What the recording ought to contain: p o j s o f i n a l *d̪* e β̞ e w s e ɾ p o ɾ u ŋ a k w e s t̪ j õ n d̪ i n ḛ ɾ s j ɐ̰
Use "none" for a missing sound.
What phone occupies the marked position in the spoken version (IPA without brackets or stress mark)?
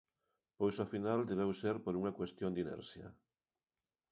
d̪